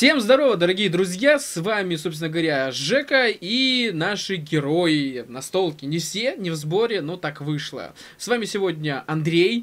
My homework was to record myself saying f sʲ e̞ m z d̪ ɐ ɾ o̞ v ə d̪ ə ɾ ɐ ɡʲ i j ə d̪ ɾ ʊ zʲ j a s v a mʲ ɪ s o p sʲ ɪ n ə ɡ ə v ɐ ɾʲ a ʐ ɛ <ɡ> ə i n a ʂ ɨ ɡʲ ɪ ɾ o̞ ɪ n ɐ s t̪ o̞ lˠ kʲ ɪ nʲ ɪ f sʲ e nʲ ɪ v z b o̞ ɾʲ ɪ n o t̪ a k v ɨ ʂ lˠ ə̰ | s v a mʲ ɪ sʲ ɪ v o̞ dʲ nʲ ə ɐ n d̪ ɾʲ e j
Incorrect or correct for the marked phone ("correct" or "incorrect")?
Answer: incorrect